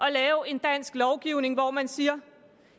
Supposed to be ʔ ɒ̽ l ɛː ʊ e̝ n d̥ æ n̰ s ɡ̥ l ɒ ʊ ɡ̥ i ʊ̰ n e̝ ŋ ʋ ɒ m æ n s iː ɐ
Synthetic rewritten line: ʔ ɒ̽ l ɛː ʊ e̝ n d̥ æ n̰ s ɡ̥ l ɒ ʊ ɡ̥ i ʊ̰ n e̝ ŋ ʋ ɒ m æ n s iː ɐ